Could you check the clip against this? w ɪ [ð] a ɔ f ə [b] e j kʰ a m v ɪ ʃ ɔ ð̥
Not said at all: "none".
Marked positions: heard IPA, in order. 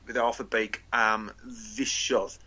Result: ð, b

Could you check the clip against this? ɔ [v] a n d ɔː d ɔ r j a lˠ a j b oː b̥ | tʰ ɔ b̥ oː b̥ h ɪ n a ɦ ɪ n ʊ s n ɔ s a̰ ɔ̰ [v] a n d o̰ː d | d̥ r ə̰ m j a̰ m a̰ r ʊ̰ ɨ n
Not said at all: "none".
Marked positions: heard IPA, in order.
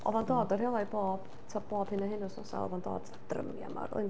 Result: v, v

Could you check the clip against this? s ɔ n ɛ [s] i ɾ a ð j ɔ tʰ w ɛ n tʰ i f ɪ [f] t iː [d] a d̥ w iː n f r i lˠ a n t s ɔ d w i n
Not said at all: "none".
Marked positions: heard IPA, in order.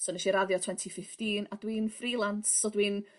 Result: ʃ, f, n

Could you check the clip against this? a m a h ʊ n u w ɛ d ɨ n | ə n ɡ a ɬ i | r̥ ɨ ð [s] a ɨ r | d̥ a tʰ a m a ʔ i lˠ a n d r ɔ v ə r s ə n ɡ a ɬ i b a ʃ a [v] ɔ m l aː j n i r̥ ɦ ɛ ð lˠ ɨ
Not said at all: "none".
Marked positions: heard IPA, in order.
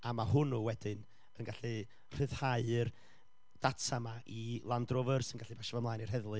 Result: h, v

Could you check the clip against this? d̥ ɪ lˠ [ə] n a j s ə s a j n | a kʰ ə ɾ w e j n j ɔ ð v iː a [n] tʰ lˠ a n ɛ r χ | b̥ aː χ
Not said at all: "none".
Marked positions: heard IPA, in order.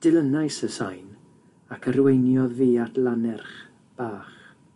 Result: ə, none

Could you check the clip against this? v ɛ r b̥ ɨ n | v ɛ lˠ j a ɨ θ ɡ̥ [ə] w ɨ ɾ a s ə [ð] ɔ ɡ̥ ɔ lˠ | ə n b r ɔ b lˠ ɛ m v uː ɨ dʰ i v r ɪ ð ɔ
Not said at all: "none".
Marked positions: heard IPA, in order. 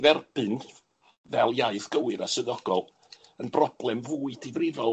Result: ə, ð

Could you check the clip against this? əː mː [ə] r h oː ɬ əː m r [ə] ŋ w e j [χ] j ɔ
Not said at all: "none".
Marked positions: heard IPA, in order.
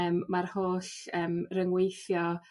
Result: a, ə, θ

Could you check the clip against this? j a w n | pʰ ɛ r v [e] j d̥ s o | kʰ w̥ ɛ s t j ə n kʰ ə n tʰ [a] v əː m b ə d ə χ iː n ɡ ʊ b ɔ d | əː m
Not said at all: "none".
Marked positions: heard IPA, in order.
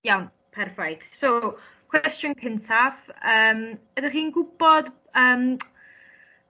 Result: a, a

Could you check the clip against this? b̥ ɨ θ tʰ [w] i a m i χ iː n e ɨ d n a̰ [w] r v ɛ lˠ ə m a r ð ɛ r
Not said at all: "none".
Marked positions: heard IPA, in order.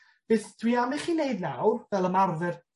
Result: w, w

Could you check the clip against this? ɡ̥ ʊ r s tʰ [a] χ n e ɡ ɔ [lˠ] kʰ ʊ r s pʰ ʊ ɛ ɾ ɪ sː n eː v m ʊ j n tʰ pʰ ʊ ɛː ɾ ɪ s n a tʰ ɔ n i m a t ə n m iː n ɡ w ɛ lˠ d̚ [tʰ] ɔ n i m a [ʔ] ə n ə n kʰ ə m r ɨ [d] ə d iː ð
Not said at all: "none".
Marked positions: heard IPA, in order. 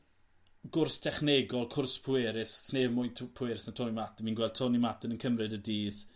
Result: ɛ, lˠ, tʰ, t, d

